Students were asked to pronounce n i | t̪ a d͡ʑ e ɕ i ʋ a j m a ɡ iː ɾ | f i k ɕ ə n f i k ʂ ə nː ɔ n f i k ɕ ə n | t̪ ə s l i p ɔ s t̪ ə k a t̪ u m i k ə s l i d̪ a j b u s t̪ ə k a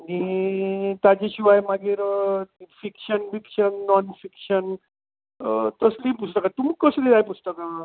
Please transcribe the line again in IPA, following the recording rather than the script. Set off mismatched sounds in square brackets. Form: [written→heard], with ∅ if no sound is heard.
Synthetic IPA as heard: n i | t̪ a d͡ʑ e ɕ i ʋ a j m a ɡ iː ɾ | f i k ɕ ə n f i k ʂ ə nː ɔ n f i k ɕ ə n | t̪ ə s l i p [ɔ→u] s t̪ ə k a t̪ u m i k ə s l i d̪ a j [b→p] u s t̪ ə k a